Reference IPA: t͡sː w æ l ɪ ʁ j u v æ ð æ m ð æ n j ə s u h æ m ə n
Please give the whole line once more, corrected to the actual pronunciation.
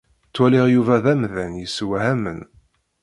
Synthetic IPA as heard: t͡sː w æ l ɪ ʁ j u v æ ð æ m ð æ n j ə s w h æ m ə n